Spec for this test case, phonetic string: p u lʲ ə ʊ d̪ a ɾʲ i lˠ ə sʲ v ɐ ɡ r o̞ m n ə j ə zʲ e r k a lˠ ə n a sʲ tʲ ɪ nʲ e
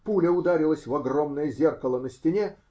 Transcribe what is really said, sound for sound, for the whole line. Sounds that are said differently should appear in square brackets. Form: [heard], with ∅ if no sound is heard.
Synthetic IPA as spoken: p u lʲ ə ʊ d̪ a ɾʲ [ɪ] lˠ ə sʲ v ɐ ɡ r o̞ m n ə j ə zʲ e r k [ə] lˠ ə n [ə] sʲ tʲ ɪ nʲ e